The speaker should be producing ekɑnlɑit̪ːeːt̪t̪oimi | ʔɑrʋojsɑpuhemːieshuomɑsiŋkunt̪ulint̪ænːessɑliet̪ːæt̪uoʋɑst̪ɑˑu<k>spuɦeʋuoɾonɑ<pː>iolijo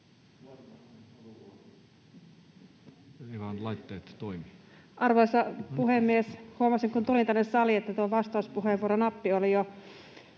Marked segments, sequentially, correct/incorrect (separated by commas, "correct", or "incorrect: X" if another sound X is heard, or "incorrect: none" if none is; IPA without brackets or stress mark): incorrect: none, correct